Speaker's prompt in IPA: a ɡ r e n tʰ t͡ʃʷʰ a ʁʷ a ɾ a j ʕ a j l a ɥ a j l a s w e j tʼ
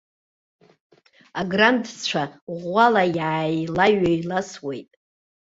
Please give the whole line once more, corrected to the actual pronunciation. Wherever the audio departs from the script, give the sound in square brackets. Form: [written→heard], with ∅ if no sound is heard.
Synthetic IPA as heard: a ɡ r [e→a] n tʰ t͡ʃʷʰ a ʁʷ a [ɾ→l] a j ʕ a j l a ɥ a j l a s w e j tʼ

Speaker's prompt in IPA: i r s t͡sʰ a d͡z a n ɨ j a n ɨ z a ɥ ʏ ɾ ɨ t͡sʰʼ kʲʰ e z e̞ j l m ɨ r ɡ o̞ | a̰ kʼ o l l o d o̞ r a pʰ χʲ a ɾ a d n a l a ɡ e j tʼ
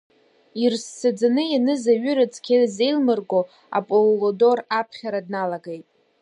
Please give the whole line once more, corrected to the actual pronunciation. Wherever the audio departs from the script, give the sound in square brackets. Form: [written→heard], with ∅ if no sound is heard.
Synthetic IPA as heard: i r s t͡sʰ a d͡z a n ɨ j a n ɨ z a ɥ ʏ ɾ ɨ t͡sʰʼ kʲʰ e z e̞ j l m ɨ r ɡ o̞ | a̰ [kʼ→pʼ] o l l o d o̞ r a pʰ χʲ a ɾ a d n a l a ɡ e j tʼ

